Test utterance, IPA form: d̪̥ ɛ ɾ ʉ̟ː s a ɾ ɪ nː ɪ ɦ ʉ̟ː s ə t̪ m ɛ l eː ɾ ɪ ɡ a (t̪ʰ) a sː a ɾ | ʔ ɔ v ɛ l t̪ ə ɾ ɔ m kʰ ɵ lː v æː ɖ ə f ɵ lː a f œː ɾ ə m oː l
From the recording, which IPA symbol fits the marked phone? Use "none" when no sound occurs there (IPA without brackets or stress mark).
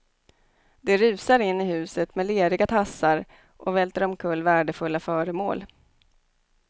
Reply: t̪ʰ